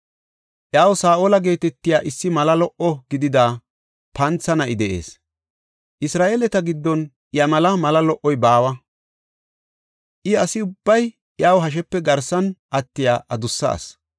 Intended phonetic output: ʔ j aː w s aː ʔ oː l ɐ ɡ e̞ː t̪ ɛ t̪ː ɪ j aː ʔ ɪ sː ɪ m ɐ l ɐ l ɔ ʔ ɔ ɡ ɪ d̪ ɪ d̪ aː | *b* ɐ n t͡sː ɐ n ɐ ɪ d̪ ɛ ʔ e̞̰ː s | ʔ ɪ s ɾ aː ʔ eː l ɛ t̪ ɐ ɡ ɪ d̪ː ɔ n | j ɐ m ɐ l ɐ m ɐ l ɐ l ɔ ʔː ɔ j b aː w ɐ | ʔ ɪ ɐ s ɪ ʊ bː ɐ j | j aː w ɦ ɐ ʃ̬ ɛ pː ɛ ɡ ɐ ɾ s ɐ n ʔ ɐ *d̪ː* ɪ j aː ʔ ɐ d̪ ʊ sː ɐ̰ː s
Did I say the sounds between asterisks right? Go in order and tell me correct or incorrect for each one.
incorrect, incorrect

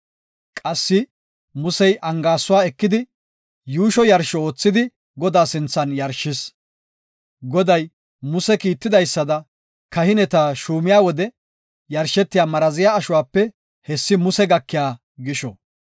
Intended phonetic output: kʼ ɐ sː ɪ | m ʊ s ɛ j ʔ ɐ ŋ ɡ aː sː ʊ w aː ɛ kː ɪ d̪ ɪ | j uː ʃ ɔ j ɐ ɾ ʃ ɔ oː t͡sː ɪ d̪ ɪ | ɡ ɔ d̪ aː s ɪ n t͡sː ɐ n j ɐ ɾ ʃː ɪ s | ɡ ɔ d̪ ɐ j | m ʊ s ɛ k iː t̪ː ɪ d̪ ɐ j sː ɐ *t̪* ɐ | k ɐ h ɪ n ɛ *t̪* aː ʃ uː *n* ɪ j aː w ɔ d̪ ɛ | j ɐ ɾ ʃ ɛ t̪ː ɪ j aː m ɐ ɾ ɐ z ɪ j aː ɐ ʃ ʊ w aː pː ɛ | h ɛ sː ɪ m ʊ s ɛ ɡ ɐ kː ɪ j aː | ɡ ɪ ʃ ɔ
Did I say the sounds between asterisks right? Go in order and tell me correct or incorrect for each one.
incorrect, correct, incorrect

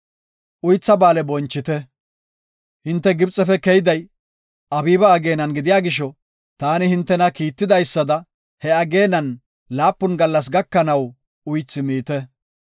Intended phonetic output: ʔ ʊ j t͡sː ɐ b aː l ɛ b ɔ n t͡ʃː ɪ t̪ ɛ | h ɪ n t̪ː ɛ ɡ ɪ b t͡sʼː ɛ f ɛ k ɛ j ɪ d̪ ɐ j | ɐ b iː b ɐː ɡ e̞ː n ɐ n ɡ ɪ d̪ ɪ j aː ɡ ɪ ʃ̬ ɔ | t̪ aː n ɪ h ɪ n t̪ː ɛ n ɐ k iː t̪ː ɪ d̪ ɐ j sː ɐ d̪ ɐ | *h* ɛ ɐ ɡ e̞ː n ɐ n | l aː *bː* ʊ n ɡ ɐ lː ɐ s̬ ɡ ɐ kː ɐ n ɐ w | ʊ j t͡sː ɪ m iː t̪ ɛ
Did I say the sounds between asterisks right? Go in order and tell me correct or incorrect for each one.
correct, incorrect

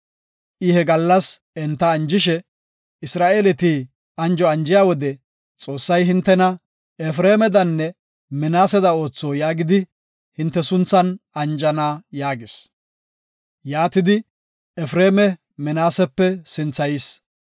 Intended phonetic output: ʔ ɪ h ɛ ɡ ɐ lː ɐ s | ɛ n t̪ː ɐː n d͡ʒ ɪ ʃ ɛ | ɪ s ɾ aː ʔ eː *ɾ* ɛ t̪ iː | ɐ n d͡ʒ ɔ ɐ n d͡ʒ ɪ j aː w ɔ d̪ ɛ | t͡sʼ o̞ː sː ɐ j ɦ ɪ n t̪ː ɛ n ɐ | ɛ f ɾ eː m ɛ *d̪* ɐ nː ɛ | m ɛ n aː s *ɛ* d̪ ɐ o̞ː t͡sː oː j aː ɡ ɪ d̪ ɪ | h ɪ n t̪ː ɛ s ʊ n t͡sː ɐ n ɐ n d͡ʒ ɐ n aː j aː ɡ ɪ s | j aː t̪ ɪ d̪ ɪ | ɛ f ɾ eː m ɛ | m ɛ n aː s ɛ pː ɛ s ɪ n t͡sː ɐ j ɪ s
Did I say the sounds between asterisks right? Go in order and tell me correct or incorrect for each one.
incorrect, correct, correct

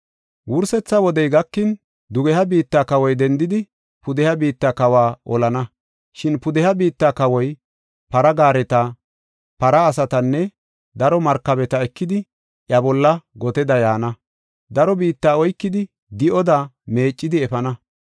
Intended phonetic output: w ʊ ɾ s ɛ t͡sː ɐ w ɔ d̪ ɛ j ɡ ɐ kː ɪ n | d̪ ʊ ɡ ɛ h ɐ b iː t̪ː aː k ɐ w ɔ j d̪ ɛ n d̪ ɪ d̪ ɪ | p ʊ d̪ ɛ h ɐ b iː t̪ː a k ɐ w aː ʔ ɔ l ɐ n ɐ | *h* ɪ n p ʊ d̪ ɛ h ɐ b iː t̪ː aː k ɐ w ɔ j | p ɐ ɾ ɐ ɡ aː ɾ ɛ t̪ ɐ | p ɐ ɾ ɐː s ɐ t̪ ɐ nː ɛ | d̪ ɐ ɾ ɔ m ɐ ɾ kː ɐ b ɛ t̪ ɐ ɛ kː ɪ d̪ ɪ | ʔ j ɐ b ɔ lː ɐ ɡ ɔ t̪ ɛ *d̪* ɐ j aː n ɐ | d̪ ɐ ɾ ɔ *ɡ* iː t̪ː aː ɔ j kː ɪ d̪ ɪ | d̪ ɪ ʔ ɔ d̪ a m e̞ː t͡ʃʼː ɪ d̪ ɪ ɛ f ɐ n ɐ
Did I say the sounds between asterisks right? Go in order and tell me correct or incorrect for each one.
incorrect, correct, incorrect

